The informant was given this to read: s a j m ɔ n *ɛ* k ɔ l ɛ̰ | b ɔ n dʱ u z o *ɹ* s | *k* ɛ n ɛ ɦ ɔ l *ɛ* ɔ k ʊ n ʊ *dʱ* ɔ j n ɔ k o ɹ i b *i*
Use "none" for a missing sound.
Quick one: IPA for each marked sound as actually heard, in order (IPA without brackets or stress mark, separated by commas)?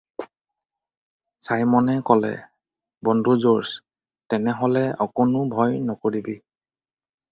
ɛ, ɹ, t, ɛ, bʱ, i